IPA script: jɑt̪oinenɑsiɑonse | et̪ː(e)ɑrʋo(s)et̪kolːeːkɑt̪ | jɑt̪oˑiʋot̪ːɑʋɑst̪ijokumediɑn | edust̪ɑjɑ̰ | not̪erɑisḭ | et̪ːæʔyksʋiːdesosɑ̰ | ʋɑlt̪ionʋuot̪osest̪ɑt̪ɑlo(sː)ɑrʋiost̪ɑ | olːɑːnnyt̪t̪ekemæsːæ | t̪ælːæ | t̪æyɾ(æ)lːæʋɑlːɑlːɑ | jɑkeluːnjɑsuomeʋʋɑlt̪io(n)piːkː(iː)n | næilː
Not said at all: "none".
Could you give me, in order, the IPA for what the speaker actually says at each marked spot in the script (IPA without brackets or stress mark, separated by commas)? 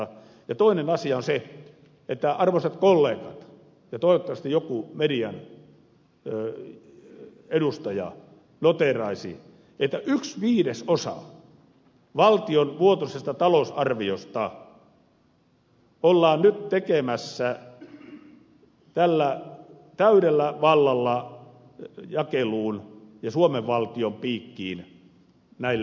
æ, s, s, e, m, iː